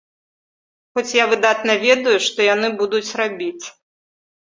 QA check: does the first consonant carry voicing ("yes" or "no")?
no